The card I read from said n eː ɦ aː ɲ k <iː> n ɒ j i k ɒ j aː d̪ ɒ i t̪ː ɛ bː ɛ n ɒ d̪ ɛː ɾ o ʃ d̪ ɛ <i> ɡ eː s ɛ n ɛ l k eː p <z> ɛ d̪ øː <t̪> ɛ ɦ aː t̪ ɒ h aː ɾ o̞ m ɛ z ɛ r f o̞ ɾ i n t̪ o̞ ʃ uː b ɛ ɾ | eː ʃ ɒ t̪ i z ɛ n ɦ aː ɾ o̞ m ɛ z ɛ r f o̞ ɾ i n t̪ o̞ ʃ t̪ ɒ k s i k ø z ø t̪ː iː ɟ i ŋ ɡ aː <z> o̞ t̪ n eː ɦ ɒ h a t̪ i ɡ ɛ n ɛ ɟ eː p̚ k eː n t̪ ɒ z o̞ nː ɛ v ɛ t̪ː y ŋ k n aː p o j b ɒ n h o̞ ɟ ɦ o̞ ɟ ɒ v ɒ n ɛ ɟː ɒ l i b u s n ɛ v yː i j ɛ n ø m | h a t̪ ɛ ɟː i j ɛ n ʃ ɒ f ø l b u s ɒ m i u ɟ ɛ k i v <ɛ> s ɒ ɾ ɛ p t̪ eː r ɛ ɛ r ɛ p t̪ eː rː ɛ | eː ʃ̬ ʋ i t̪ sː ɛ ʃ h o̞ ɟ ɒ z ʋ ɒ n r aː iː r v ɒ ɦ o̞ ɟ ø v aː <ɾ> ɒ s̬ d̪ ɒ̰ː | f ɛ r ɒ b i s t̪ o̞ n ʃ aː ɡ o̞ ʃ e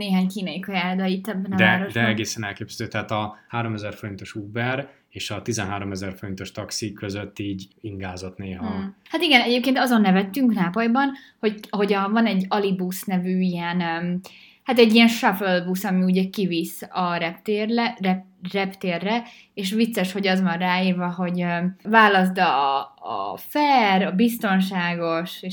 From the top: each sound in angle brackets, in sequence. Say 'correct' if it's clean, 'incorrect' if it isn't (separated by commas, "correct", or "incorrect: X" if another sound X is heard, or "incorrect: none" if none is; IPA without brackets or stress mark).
correct, incorrect: ɛ, correct, correct, correct, incorrect: i, incorrect: l